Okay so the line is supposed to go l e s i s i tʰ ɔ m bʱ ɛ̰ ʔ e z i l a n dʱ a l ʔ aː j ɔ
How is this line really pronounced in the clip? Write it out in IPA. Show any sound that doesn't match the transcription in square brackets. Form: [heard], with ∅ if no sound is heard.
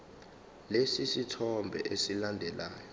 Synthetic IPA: l e s i s i tʰ ɔ m bʱ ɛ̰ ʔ e [s] i l a n dʱ [ɛ] l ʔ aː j ɔ